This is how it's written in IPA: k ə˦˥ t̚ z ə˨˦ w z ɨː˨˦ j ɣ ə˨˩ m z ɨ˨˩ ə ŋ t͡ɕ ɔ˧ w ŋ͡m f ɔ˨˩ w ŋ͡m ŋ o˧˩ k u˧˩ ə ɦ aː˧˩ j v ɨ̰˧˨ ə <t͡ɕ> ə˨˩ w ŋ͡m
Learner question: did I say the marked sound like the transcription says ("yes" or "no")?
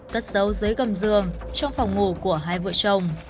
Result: yes